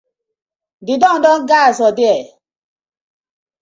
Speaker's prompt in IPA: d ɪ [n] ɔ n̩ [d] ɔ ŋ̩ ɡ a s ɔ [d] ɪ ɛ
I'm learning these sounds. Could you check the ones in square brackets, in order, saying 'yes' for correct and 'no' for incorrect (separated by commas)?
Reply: no, yes, yes